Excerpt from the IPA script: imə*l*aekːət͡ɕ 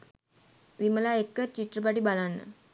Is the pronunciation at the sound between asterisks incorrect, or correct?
correct